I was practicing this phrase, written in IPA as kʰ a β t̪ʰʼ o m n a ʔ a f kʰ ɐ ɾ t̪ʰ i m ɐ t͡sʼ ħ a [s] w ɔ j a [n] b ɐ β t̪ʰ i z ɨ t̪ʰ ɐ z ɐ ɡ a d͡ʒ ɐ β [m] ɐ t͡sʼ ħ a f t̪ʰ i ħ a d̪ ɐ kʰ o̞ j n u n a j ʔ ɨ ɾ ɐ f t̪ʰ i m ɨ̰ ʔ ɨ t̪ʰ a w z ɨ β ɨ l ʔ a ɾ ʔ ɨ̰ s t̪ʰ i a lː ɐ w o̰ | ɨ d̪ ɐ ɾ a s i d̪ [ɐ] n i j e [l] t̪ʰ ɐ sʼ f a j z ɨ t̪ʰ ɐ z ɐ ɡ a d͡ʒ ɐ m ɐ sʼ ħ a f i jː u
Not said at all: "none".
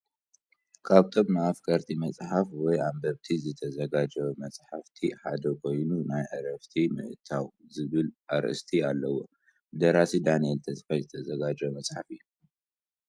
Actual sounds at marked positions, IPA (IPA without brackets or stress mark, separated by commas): f, m, m, a, l